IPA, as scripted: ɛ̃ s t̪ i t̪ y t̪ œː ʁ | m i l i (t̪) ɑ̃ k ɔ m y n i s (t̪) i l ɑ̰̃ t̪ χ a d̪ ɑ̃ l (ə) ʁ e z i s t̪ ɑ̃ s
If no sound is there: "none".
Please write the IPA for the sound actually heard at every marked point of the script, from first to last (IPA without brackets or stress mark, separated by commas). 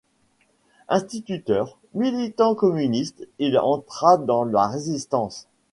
t̪, t̪, a